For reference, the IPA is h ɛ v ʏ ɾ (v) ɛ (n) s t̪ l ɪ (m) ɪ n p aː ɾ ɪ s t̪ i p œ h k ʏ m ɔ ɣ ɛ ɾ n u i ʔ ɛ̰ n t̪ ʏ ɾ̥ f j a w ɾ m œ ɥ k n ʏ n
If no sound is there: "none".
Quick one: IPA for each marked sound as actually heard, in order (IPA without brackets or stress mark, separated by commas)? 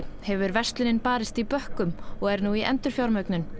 v, none, n